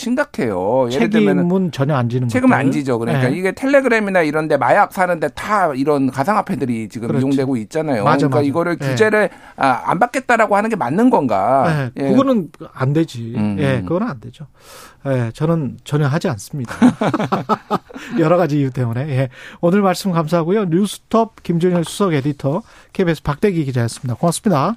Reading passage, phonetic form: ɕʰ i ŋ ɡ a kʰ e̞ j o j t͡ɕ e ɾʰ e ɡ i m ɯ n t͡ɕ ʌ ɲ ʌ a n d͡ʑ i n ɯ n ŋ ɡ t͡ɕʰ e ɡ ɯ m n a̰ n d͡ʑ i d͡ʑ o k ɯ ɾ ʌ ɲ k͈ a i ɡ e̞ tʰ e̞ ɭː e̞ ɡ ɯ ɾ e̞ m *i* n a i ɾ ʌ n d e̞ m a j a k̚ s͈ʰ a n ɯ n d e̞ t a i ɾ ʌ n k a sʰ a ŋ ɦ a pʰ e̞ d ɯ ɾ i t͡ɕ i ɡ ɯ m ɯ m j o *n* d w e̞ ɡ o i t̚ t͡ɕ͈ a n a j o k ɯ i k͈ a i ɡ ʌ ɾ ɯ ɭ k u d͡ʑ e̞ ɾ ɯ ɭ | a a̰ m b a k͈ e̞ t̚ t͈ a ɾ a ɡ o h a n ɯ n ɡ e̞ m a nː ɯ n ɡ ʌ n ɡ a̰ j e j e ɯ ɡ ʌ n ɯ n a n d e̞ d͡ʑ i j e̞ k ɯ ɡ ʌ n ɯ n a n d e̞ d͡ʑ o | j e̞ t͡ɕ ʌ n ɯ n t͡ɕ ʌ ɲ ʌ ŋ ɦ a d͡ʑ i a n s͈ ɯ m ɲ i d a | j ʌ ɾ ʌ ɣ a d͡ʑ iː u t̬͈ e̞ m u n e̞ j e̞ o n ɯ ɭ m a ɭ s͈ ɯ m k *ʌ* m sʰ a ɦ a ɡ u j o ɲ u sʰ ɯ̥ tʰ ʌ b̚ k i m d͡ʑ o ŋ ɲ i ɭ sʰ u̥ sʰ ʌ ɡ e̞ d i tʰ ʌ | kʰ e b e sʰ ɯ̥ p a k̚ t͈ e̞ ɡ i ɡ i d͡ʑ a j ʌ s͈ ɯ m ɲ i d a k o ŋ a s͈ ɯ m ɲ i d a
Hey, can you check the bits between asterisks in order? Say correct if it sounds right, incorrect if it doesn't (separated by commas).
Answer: correct, incorrect, incorrect